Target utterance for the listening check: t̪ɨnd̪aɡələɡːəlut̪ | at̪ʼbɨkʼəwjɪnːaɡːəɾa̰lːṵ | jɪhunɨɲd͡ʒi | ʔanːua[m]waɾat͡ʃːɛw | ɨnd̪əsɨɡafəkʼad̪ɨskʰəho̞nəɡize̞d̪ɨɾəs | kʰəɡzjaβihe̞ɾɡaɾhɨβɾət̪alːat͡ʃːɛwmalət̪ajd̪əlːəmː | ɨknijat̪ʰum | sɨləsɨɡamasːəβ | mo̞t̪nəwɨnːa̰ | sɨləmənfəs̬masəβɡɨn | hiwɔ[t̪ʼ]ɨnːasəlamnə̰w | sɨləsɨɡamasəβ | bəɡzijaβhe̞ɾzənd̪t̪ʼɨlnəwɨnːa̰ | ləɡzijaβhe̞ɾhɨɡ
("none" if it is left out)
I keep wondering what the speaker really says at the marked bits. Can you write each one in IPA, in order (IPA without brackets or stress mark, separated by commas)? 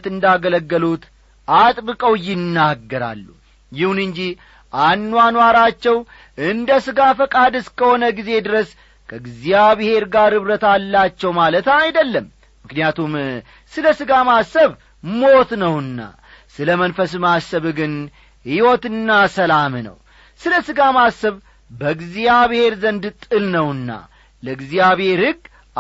n, t̪